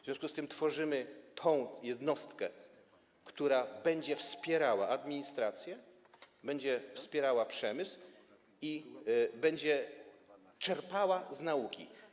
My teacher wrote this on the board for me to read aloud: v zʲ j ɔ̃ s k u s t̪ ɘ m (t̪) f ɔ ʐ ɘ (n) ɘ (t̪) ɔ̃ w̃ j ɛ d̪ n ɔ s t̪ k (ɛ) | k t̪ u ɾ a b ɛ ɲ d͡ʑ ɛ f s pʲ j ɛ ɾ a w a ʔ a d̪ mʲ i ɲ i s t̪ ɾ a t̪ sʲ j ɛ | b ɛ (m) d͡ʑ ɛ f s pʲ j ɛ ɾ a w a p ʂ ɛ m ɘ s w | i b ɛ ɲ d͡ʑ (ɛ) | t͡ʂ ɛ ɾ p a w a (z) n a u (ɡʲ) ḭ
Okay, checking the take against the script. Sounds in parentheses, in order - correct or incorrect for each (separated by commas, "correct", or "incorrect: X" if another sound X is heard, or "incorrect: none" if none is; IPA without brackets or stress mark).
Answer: correct, incorrect: m, incorrect: t̪ʰ, correct, incorrect: ɲ, correct, correct, incorrect: kʲ